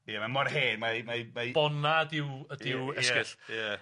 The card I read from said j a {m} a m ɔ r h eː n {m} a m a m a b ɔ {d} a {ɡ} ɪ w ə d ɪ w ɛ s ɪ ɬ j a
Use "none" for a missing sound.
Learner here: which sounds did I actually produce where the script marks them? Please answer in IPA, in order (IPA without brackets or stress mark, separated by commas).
m, m, n, d